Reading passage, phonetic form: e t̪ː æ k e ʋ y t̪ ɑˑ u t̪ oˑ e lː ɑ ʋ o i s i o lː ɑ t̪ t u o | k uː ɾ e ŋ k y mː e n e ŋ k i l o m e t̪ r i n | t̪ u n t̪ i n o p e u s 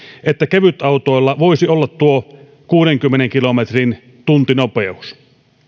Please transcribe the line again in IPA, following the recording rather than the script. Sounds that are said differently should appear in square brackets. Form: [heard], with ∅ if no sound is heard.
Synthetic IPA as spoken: e t̪ː æ k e ʋ y t̪ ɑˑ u t̪ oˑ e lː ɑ ʋ o i s i o lː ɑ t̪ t u o | k uː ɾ e ŋ k y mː e n e ŋ k i l o m e t̪ r i n | t̪ u n t̪ i n o p e u s